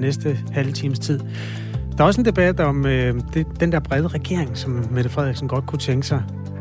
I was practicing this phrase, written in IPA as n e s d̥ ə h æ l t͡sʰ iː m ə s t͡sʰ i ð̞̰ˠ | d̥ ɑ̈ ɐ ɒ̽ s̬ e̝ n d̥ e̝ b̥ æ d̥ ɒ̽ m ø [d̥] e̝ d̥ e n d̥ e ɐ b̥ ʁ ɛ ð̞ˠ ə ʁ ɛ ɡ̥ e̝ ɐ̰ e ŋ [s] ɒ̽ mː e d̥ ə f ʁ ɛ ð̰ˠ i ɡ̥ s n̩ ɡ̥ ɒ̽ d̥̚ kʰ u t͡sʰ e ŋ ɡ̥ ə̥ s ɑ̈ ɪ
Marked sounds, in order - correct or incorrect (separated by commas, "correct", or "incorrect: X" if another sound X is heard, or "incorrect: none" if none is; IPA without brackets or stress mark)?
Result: correct, correct